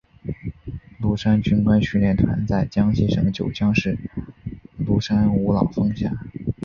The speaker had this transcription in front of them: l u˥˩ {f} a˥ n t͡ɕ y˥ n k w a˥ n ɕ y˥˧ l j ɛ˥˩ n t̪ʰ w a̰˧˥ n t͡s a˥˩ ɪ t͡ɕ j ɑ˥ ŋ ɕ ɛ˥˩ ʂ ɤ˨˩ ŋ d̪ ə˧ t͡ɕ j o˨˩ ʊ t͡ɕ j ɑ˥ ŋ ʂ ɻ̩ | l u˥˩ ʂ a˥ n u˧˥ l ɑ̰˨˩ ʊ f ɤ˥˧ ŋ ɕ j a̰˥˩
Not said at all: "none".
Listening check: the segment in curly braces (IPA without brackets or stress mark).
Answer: ʂ